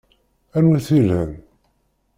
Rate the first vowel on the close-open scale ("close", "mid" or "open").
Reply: open